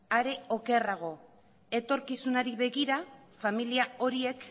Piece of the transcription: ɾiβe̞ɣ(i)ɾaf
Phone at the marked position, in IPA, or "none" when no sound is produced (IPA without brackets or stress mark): i